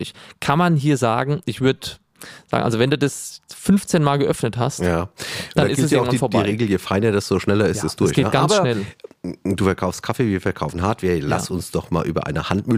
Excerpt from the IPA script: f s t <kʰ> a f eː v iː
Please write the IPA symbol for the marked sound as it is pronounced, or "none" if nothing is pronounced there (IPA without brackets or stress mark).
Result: kʰ